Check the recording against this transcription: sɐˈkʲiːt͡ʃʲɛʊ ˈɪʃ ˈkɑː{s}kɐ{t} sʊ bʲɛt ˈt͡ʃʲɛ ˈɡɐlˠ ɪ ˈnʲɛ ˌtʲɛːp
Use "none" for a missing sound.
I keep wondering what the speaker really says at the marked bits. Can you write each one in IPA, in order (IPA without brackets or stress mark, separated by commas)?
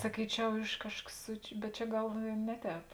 ʃ, s